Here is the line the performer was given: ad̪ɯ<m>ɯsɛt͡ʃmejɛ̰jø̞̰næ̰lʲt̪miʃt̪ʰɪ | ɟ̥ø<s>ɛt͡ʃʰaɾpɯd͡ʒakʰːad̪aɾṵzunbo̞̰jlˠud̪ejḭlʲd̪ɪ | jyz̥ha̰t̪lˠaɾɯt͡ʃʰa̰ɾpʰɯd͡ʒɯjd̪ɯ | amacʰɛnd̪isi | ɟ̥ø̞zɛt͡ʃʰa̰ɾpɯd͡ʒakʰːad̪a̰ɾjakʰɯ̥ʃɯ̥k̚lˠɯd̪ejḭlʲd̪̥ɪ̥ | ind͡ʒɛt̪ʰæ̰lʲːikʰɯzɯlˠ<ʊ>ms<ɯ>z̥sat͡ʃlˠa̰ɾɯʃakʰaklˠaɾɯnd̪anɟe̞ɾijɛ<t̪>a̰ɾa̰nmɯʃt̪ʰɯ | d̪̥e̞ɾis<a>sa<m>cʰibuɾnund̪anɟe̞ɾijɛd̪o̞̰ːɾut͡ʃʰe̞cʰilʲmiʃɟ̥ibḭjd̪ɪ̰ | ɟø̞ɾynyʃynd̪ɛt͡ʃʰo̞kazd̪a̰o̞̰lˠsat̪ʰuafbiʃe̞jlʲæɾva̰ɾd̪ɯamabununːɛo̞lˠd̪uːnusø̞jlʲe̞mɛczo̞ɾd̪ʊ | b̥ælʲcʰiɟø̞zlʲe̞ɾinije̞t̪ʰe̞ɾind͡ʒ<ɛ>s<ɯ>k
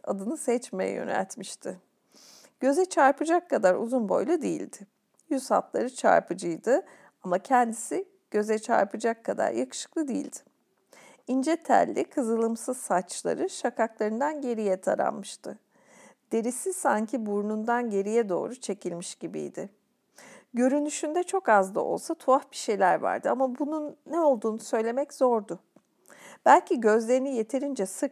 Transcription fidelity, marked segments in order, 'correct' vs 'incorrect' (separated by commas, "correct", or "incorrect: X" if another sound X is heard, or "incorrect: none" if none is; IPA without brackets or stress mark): incorrect: n, incorrect: z, incorrect: ɯ, correct, incorrect: t̪ʰ, incorrect: i, incorrect: ɲ, correct, correct